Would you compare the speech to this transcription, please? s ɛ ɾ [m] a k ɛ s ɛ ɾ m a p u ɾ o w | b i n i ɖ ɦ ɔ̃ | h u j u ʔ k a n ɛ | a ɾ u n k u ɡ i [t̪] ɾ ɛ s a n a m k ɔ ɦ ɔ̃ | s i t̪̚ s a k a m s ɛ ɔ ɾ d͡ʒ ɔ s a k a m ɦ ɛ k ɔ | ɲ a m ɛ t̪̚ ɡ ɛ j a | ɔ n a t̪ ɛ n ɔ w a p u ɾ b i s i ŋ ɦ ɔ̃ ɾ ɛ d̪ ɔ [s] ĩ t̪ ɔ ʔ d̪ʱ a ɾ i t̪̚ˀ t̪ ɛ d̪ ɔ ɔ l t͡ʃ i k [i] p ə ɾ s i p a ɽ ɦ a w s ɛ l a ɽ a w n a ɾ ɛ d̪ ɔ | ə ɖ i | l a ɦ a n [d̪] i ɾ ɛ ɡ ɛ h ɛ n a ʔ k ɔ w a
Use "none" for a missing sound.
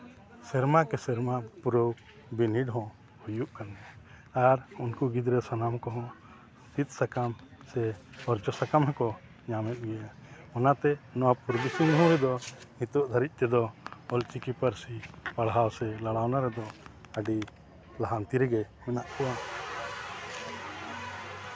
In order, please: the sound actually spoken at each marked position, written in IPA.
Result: m, d̪, h, i, t̪

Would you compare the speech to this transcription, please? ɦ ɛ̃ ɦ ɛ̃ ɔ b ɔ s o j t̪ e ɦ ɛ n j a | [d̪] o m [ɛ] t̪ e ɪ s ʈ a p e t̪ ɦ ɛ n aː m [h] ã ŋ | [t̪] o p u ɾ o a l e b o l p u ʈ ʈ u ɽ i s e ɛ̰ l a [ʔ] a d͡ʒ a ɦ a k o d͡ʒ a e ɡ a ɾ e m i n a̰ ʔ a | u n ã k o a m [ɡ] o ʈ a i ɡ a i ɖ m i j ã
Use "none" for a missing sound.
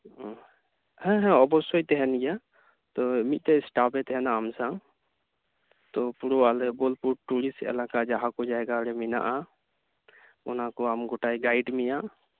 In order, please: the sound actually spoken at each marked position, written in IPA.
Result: t̪, i, s, t̪, k, ɡ

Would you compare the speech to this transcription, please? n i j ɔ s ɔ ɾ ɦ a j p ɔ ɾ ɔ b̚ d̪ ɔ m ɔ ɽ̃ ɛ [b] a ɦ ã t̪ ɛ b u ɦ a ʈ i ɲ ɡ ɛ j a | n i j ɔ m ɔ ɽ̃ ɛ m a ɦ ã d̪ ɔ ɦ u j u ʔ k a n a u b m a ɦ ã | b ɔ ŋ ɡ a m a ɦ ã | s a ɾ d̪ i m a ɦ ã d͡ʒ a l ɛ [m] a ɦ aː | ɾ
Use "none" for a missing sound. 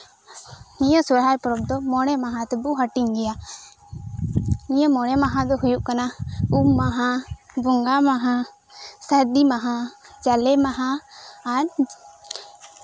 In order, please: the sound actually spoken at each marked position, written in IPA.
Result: m, m

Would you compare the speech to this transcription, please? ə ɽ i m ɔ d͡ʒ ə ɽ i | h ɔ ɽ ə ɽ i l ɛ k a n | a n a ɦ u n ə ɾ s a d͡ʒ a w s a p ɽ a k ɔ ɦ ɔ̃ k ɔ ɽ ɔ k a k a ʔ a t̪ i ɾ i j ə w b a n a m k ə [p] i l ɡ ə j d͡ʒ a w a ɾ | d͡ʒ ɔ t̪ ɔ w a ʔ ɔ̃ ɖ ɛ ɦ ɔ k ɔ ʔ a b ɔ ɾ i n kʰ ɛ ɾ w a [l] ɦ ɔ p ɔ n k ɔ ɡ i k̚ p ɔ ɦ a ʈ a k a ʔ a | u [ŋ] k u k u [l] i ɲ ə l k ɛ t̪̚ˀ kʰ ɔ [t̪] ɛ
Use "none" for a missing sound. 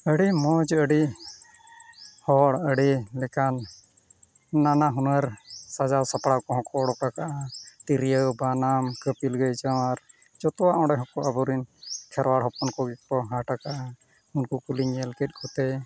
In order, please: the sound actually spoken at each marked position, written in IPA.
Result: p, ɽ, n, l, t̪

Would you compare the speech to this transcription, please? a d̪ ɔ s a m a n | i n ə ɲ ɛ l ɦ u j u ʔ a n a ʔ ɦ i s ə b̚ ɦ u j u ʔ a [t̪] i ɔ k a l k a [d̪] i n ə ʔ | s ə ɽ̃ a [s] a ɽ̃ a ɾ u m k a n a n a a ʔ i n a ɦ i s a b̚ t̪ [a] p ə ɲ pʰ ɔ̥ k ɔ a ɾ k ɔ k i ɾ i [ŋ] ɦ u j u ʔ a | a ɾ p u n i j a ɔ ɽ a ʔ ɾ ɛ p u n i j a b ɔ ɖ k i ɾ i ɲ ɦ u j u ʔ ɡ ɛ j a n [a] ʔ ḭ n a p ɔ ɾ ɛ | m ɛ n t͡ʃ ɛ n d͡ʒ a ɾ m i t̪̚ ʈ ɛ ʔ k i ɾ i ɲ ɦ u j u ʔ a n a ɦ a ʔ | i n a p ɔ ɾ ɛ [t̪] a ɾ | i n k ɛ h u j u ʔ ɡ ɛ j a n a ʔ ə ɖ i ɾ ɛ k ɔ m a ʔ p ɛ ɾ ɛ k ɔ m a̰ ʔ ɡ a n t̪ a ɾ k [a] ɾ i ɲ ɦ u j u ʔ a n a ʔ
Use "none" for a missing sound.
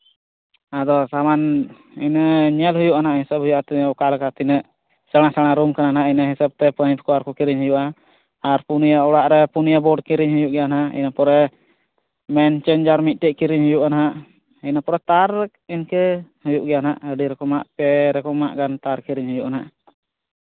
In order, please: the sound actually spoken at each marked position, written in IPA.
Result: t̪, t̪, s, ɛ, ɲ, a, t̪, i

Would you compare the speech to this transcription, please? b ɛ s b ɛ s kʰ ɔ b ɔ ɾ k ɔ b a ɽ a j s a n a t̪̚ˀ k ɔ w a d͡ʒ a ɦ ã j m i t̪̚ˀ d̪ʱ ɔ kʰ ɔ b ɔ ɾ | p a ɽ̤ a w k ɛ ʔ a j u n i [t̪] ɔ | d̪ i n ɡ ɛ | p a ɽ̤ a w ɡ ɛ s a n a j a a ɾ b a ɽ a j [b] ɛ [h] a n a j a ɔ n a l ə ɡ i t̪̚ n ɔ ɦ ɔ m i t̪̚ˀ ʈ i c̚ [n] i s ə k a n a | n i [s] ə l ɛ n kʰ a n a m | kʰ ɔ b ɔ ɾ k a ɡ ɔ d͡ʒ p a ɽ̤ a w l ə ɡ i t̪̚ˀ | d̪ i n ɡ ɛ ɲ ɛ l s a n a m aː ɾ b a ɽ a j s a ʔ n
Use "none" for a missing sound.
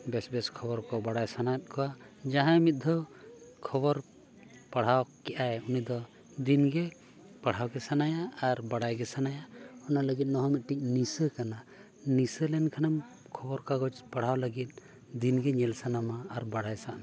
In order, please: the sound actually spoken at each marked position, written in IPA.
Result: d̪, ɡ, s, n, s

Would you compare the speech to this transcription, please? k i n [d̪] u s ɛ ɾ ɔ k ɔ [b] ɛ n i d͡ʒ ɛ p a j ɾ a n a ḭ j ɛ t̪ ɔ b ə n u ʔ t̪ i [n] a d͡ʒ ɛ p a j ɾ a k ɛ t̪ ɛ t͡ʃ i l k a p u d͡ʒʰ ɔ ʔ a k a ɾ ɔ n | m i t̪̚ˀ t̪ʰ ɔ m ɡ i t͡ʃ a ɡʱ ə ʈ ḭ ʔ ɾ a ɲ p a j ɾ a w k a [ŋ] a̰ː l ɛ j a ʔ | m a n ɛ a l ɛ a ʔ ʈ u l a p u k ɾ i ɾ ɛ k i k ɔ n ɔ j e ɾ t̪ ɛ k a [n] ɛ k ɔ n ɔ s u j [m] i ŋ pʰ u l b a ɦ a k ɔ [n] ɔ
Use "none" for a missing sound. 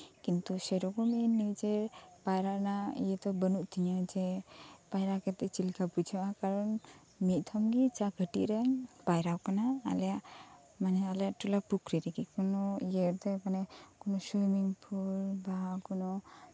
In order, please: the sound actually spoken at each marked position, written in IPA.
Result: t̪, m, ɲ, n, n, m, n

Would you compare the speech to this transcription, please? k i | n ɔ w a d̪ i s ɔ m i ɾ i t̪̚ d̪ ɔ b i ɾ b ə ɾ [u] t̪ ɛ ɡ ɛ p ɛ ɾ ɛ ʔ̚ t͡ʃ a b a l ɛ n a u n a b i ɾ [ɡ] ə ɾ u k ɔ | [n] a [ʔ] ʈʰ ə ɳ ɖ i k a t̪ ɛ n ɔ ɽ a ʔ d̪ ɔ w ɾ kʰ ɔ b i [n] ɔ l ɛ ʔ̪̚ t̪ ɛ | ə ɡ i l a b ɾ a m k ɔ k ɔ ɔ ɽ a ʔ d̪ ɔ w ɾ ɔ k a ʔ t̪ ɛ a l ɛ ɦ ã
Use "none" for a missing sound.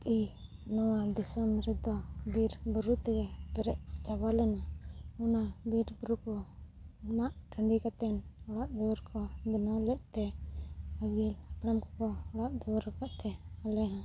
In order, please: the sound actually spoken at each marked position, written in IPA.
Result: u, b, m, ʔ, n

